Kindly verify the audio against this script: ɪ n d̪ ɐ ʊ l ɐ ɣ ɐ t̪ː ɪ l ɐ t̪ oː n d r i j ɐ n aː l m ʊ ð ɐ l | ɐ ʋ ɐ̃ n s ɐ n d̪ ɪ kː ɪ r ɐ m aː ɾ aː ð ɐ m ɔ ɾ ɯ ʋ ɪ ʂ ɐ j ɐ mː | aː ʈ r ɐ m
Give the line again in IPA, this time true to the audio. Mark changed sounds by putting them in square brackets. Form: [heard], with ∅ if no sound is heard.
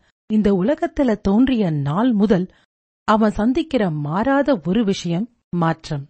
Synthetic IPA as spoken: ɪ n d̪ ɐ ʊ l ɐ ɣ ɐ t̪ː ɪ l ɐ t̪ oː n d r [ɪ] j ɐ n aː l m ʊ ð ɐ l | ɐ ʋ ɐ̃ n s ɐ n d̪ ɪ kː ɪ r ɐ m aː ɾ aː ð ɐ [∅] ɔ ɾ ɯ ʋ ɪ ʂ ɐ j ɐ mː | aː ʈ r ɐ m